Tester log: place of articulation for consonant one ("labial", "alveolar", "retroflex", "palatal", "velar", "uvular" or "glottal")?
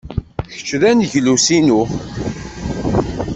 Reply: palatal